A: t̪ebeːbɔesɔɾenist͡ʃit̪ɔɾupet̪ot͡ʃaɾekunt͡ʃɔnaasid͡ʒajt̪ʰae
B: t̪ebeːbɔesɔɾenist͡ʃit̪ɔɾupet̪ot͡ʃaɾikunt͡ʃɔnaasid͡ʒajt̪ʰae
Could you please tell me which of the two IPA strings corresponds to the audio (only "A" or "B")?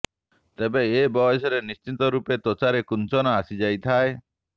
A